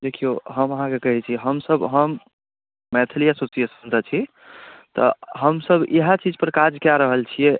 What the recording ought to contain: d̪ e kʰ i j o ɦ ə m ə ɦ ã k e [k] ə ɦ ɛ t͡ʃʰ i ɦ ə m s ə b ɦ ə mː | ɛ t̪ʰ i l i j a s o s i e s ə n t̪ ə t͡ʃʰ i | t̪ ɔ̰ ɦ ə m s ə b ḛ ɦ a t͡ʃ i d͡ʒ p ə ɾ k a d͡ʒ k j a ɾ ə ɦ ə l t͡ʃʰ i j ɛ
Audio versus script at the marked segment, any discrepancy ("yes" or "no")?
no